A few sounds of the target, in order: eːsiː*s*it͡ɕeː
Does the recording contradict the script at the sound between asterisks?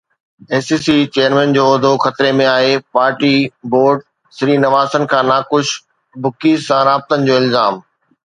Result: no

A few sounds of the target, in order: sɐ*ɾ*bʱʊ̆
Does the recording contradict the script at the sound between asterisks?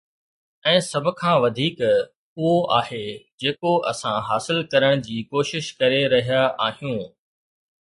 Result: yes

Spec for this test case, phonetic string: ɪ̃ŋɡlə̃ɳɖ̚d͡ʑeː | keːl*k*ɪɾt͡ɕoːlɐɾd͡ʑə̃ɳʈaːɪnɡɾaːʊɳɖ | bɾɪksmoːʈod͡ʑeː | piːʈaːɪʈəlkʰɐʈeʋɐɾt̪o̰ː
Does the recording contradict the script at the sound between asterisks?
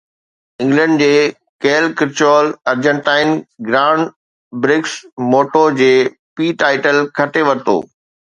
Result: no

